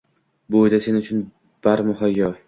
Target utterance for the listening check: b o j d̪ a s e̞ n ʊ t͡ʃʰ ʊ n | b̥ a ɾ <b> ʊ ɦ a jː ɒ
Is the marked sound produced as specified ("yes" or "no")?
no